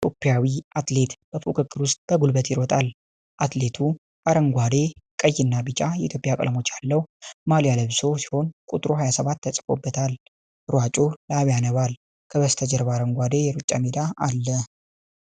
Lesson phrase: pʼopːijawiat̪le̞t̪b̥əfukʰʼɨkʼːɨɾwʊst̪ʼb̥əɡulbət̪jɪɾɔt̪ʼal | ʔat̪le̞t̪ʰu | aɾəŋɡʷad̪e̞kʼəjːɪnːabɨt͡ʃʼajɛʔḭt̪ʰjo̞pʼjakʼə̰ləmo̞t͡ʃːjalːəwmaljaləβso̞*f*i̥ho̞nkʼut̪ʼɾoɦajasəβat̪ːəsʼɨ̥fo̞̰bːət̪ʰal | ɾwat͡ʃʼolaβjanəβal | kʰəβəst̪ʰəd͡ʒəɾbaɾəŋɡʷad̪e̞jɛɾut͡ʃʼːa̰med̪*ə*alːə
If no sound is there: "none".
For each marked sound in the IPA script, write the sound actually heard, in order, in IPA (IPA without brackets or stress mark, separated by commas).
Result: s, a